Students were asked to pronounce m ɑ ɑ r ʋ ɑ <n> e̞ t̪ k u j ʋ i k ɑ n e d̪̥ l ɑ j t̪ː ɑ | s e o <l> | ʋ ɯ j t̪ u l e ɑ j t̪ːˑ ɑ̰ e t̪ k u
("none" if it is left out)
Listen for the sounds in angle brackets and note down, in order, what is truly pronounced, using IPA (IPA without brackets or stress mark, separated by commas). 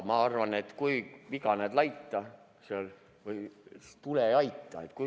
n, l